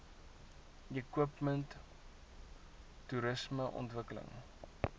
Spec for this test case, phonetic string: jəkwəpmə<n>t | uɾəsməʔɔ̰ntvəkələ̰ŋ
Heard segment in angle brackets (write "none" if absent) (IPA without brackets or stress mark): n